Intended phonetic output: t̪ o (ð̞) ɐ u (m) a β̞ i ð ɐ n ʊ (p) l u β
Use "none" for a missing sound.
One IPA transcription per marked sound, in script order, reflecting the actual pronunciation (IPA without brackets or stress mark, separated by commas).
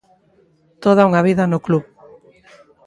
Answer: ð̞, ŋ, k